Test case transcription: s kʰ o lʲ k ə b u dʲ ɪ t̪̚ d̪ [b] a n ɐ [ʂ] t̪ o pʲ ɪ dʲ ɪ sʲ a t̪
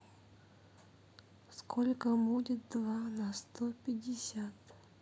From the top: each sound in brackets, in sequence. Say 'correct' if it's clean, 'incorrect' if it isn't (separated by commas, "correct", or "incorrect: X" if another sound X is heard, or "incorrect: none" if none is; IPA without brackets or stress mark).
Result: incorrect: v, incorrect: s